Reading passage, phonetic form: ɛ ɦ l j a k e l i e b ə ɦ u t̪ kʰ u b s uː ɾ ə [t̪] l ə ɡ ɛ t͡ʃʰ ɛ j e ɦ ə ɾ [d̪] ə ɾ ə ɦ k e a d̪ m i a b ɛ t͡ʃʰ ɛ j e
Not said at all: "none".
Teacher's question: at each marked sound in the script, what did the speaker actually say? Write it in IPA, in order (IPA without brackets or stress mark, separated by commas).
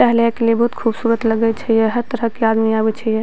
t̪, t̪